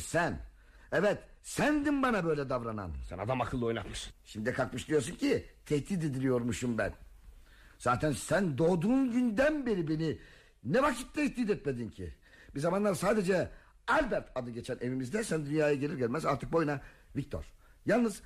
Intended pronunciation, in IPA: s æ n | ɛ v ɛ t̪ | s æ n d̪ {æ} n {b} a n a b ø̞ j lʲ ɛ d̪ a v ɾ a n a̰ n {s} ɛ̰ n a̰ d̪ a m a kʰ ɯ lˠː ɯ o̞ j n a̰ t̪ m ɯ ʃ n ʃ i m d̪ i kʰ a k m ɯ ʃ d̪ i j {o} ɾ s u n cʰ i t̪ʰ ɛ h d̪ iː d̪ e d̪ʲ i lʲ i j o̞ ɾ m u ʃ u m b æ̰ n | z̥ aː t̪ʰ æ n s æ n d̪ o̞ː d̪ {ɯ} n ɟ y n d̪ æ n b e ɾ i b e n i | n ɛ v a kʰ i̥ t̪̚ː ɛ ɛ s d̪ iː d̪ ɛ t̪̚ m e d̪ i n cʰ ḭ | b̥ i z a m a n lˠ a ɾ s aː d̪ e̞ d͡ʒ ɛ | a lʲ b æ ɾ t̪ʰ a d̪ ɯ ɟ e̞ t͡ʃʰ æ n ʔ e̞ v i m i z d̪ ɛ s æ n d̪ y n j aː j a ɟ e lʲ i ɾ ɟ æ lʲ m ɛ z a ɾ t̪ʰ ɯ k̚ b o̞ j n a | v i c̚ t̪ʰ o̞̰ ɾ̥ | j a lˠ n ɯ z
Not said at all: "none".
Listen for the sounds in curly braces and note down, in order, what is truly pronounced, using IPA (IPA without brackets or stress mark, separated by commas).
i, b, s, o, u